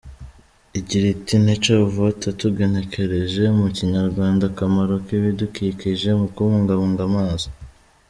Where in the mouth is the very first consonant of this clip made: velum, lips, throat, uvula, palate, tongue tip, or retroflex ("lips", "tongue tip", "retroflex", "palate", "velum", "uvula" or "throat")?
palate